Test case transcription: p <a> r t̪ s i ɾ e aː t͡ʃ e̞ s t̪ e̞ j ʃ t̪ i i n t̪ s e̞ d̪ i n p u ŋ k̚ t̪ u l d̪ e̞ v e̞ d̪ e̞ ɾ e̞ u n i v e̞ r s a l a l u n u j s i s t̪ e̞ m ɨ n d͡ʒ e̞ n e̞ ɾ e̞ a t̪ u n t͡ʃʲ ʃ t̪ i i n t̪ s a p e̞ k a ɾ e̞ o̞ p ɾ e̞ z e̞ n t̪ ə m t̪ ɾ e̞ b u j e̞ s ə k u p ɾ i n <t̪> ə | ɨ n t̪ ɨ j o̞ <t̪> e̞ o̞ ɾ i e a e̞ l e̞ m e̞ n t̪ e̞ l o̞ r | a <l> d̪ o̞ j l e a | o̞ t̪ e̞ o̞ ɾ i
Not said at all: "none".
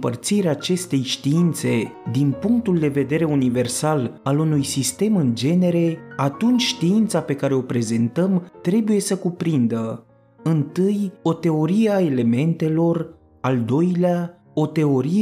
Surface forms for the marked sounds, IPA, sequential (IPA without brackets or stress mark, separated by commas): ə, d̪, t̪, l